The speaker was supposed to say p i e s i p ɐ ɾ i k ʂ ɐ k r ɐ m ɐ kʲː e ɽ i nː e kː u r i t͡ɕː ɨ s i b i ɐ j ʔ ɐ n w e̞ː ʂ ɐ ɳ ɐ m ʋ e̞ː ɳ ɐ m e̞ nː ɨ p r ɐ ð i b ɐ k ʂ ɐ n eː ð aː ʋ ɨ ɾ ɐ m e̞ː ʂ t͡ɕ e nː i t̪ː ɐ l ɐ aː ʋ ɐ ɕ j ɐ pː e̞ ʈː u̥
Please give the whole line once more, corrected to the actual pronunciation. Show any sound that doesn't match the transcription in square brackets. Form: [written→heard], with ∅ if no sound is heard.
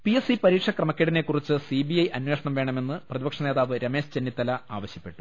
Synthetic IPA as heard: p i e s i p ɐ ɾ [i→iː] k ʂ ɐ k r ɐ m ɐ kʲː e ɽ i [nː→n] e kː u r i t͡ɕː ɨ s i b i ɐ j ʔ ɐ n w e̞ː ʂ ɐ ɳ ɐ m ʋ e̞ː ɳ ɐ m e̞ nː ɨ p r ɐ ð i b ɐ k ʂ ɐ n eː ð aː ʋ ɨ ɾ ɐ m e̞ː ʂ t͡ɕ e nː i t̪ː ɐ l ɐ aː ʋ ɐ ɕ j ɐ pː e̞ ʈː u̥